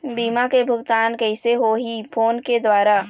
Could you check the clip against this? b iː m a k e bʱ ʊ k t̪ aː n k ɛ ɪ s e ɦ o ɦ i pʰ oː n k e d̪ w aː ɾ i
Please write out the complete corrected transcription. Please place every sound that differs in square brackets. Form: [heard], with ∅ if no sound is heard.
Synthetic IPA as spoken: b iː m a k e bʱ ʊ [ɡ] t̪ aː n k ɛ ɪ s e ɦ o ɦ i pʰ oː n k e d̪ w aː ɾ [a]